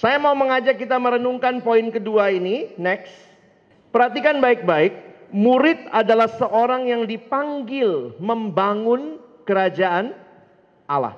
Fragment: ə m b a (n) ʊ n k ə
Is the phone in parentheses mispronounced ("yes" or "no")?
yes